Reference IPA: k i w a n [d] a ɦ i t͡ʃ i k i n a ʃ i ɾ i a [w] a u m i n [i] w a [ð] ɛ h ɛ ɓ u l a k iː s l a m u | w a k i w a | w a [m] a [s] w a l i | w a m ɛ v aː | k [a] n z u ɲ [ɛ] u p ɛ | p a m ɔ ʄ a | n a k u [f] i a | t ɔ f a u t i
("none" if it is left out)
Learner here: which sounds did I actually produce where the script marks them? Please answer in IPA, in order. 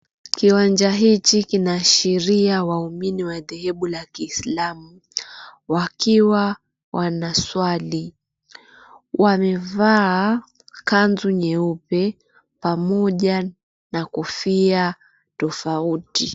d͡ʒ, w, i, ð, n, s, a, ɛ, f

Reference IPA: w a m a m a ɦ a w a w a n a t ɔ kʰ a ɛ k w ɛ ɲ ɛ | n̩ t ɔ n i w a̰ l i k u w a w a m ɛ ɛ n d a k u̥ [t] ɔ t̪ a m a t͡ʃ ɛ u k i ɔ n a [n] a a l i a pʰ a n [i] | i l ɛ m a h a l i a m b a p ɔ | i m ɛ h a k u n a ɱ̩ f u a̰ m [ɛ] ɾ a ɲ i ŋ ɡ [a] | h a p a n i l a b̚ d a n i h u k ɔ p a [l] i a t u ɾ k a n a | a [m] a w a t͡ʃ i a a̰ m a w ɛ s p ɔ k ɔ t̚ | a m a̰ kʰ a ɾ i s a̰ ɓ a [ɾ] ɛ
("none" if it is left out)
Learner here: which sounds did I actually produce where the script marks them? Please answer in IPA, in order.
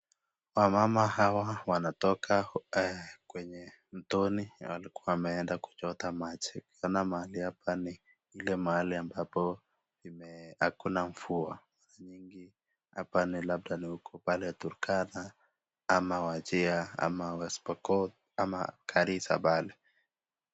t͡ʃ, m, i, a, i, l, m, l

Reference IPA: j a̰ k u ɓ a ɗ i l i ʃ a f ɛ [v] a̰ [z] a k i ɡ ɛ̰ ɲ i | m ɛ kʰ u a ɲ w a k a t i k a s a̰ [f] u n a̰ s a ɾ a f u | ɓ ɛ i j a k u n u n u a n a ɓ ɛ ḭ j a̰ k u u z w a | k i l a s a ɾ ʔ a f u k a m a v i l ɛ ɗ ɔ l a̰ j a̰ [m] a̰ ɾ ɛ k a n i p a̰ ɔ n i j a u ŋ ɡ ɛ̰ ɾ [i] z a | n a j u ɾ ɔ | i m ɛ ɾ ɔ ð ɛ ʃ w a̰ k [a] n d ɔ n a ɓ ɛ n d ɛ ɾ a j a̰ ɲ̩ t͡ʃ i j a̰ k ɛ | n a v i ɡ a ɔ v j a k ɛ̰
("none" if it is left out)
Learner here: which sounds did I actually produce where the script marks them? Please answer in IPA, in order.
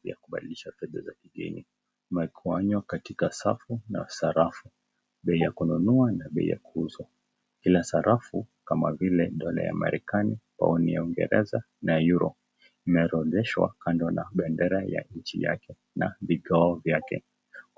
ð, z, f, m, ɛ, a

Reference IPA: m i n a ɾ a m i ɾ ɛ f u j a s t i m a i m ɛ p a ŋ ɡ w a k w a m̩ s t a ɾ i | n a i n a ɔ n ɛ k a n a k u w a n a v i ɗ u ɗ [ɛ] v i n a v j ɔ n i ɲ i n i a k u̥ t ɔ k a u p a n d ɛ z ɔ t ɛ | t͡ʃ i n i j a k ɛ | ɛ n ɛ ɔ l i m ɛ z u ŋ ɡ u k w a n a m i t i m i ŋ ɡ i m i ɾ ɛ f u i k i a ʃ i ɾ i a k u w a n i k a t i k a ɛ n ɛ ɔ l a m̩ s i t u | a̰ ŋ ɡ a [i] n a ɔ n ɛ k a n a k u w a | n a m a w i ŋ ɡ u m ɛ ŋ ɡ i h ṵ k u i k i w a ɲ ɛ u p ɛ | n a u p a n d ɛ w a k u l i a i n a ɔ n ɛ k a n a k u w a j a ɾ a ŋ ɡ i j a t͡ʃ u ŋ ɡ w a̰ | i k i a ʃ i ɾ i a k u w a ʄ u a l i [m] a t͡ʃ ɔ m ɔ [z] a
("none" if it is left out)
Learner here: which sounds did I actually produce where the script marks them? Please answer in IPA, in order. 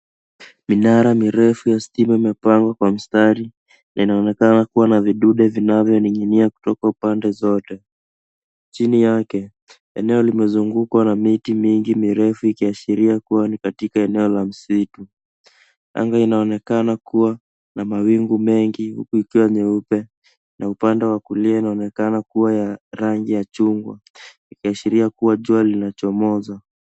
ɛ, i, n, z

